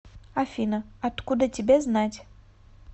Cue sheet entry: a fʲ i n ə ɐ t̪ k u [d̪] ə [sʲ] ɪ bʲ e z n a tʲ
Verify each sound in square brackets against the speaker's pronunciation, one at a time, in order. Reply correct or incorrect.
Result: correct, incorrect: tʲ

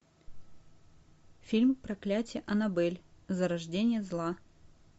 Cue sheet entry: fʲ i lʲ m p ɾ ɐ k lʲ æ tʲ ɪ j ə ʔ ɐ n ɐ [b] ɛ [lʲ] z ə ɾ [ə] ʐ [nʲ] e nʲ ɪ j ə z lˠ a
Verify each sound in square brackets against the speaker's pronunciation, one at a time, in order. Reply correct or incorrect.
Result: correct, correct, incorrect: ɐ, incorrect: dʲ

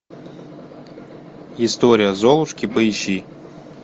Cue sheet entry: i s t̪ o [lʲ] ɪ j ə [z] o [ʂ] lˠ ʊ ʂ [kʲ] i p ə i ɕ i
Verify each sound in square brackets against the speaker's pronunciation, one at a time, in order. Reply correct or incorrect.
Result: incorrect: ɾʲ, correct, incorrect: none, correct

